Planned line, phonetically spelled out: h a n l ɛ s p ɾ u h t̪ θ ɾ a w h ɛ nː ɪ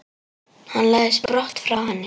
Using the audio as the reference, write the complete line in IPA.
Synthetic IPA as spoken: h a n l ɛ s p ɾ ɔ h t̪ f ɾ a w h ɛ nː ɪ